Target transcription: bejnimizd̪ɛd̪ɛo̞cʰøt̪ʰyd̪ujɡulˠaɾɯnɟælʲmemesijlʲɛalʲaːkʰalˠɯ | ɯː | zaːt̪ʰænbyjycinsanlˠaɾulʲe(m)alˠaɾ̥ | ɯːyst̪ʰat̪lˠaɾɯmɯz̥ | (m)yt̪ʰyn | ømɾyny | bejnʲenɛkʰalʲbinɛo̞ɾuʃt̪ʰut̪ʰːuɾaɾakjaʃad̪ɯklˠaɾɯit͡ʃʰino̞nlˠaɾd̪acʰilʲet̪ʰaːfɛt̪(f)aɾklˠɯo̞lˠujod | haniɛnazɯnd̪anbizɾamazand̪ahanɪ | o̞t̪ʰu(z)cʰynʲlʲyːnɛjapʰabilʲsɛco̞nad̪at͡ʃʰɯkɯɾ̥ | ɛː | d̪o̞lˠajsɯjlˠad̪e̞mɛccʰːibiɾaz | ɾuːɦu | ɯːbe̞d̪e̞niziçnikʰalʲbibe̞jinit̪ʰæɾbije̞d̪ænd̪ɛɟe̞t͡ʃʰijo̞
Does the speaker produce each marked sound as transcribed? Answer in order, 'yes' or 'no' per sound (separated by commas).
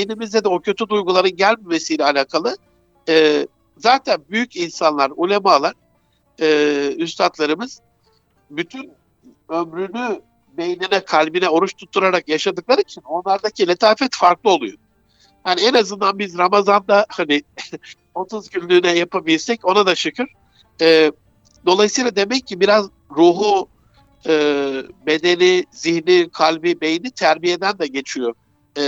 yes, no, yes, yes